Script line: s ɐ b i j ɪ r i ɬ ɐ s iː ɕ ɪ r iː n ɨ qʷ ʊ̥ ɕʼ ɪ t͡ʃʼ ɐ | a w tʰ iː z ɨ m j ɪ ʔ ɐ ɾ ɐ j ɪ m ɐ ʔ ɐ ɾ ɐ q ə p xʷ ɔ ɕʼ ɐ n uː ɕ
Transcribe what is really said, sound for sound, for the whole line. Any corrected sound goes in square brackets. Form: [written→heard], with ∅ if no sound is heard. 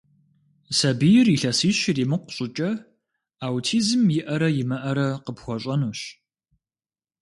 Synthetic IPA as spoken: s ɐ b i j ɪ r i ɬ ɐ s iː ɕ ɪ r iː [n→m] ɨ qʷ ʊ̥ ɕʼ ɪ t͡ʃʼ ɐ | a w tʰ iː z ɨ m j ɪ ʔ ɐ ɾ ɐ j ɪ m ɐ ʔ ɐ ɾ ɐ q ə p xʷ ɔ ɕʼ ɐ n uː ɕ